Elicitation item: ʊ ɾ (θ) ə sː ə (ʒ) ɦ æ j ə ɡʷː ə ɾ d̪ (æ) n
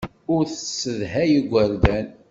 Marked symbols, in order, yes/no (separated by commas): yes, no, yes